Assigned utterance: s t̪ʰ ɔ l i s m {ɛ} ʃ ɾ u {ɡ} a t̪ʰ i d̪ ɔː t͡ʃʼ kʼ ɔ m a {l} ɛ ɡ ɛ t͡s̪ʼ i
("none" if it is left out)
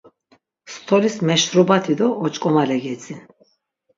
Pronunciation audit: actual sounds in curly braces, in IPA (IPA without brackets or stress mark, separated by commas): ɛ, b, l